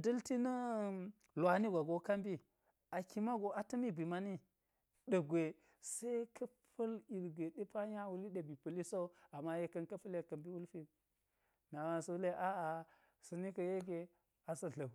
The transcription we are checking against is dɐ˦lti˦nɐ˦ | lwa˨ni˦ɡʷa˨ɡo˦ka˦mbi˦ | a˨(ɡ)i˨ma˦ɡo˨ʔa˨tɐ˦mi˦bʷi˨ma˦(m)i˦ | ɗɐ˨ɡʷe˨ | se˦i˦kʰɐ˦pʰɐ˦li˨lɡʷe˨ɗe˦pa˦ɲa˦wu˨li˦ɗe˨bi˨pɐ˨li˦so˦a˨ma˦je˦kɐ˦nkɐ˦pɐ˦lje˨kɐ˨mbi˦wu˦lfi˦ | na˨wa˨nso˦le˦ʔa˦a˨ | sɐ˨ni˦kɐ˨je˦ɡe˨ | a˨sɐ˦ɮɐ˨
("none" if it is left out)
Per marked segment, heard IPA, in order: k, n

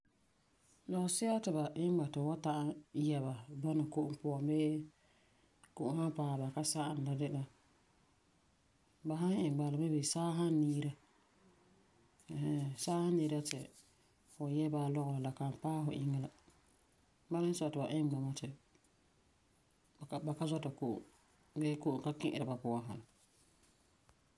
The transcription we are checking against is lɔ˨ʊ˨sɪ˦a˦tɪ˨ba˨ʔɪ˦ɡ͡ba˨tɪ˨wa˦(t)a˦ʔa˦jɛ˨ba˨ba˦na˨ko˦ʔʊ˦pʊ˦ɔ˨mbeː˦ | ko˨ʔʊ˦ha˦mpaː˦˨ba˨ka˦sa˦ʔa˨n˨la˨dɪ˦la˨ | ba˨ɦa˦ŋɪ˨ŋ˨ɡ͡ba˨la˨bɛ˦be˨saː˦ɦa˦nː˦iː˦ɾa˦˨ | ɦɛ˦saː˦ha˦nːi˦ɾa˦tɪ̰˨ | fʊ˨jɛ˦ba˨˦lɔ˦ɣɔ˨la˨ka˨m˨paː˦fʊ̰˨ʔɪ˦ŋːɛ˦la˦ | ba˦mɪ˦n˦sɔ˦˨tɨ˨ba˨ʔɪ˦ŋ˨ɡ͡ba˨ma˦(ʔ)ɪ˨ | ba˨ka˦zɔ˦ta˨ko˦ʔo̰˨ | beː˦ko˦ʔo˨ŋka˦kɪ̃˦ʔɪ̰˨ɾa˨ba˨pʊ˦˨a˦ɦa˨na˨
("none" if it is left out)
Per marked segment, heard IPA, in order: t, t

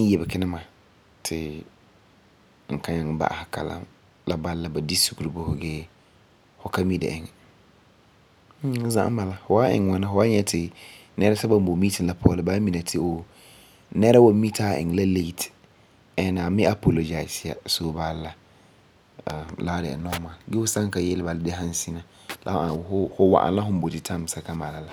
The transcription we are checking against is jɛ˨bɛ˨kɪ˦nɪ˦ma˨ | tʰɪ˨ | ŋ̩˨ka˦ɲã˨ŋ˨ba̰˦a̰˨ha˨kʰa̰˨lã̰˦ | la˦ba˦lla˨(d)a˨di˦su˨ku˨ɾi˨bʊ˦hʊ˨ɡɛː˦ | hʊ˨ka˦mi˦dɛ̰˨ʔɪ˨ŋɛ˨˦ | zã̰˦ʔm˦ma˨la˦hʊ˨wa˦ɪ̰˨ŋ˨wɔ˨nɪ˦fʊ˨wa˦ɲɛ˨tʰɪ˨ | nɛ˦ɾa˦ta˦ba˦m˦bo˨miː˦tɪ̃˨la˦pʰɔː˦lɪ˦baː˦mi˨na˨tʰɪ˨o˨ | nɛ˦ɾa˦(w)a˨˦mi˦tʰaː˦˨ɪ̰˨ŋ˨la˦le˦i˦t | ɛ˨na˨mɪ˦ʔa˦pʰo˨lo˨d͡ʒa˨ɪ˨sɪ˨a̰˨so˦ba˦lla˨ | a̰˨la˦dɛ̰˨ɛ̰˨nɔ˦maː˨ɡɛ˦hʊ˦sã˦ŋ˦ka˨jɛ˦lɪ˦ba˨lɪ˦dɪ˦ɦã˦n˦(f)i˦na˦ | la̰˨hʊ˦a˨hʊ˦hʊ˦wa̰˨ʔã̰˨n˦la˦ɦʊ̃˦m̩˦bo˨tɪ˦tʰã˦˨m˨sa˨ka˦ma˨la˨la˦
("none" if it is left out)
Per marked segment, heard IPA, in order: b, w, s

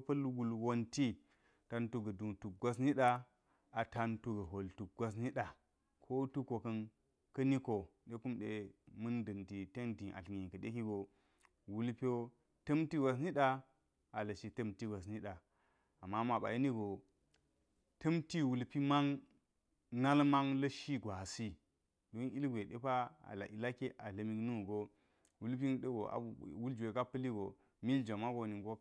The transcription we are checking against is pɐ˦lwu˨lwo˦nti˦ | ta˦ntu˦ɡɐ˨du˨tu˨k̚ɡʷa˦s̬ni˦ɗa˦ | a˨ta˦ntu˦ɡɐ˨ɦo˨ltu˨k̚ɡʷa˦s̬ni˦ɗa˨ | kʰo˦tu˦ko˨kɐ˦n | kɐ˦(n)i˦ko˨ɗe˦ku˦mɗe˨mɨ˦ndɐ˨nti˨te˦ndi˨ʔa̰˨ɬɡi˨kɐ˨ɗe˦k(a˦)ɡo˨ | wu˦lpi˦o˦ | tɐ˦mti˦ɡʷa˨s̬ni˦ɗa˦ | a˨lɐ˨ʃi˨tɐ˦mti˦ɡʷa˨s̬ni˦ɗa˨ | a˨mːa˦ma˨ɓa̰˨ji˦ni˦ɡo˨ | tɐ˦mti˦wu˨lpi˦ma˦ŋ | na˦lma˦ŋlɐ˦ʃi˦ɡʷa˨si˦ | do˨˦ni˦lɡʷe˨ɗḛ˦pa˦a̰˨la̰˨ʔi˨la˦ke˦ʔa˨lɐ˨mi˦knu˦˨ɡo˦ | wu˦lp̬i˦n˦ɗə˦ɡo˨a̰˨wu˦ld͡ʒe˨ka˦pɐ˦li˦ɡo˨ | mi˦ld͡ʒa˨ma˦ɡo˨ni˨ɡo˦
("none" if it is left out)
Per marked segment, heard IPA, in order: n, i˦

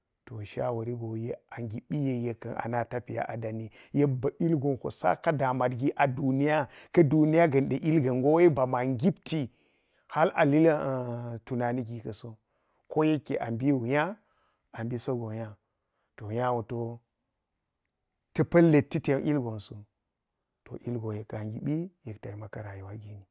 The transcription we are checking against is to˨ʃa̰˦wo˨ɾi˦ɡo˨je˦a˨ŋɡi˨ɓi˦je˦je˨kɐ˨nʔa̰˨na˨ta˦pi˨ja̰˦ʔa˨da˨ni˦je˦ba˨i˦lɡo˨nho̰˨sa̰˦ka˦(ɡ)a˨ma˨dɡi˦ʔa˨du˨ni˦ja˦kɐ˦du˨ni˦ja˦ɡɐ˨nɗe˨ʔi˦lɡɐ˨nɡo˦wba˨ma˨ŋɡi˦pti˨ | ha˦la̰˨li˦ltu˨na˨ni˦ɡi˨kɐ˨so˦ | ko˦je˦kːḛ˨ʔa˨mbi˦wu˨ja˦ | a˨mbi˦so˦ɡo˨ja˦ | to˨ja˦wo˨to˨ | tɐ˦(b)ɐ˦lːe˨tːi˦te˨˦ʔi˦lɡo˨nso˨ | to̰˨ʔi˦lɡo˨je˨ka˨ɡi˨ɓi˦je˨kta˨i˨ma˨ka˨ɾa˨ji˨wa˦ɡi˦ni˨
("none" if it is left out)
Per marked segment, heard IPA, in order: d, p

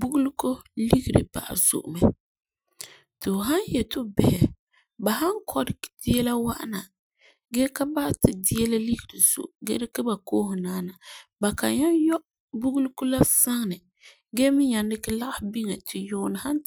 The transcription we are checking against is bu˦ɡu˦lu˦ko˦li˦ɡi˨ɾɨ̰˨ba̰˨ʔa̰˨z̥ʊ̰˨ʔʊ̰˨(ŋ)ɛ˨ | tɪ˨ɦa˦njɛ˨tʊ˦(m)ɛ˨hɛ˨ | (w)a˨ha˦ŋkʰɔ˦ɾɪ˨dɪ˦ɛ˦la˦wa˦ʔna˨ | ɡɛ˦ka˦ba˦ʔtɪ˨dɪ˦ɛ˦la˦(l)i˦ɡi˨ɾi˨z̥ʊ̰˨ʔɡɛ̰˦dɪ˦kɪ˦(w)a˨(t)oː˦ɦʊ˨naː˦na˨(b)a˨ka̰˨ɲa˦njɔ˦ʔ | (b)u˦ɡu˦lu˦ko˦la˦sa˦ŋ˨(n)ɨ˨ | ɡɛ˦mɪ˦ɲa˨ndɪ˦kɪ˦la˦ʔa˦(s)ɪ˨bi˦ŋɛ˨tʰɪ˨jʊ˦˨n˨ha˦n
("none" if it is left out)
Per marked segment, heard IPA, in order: m, b, b, l, b, k, b, b, n, h

